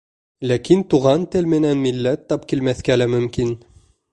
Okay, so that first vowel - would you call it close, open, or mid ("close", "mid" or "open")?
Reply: open